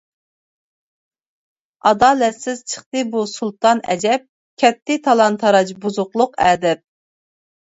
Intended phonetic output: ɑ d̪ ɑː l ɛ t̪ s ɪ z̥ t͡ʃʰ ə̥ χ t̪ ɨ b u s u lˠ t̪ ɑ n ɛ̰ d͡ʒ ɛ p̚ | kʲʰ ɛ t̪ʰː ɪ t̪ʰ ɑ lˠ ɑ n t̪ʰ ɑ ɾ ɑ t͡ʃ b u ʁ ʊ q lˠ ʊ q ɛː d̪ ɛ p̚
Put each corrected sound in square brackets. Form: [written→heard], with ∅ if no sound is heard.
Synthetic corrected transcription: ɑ d̪ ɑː l ɛ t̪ s ɪ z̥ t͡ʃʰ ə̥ χ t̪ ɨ b u s u lˠ t̪ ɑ n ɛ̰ d͡ʒ ɛ p̚ | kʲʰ ɛ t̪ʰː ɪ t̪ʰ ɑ lˠ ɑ n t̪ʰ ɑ ɾ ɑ t͡ʃ b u [ʁ→z] ʊ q lˠ ʊ q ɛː d̪ ɛ p̚